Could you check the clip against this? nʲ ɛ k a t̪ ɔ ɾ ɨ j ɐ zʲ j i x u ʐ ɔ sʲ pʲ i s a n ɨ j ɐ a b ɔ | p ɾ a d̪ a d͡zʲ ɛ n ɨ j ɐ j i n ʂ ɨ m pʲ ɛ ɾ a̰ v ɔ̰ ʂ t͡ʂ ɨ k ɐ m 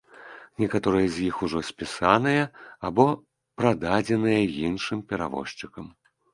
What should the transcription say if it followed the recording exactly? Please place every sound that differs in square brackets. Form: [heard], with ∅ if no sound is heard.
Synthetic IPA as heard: nʲ ɛ k a t̪ ɔ ɾ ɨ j ɐ zʲ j i x u ʐ ɔ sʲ pʲ i s a n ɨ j ɐ a b ɔ | p ɾ a d̪ a d͡zʲ ɛ n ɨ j ɐ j i n ʂ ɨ m pʲ ɛ ɾ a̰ v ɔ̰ ʂ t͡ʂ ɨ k ɐ m